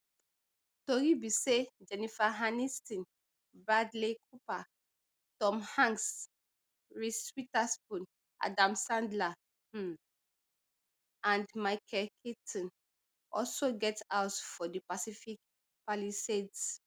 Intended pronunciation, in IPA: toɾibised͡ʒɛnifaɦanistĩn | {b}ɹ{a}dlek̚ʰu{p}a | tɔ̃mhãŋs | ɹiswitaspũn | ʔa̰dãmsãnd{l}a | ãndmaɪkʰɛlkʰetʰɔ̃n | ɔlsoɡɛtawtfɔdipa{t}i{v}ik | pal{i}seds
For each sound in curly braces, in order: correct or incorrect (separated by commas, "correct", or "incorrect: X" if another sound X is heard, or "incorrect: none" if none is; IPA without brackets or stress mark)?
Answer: correct, correct, correct, correct, incorrect: s, incorrect: f, correct